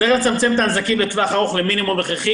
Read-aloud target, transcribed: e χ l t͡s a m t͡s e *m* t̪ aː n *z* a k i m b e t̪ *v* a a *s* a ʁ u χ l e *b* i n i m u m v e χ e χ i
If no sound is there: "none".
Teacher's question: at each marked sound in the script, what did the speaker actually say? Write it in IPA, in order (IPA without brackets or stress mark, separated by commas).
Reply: m, z, v, χ, m